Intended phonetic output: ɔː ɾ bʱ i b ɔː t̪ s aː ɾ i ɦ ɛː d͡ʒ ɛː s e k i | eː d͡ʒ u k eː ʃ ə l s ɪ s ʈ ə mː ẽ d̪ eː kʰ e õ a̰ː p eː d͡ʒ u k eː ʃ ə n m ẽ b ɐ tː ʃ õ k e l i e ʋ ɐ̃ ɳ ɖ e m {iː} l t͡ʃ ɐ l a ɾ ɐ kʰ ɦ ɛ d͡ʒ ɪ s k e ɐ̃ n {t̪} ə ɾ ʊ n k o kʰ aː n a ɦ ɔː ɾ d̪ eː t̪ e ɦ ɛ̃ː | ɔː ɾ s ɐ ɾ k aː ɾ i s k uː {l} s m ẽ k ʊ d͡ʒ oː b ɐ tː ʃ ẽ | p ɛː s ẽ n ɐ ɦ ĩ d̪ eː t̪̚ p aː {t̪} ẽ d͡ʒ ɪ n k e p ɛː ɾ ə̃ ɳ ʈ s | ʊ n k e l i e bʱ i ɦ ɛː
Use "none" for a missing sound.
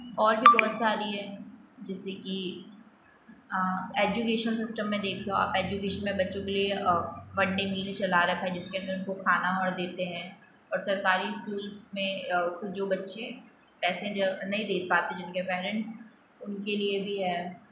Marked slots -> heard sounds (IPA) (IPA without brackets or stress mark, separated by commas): iː, d̪, l, t̪